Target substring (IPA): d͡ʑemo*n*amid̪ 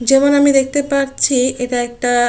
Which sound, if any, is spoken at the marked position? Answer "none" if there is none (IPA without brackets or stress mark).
n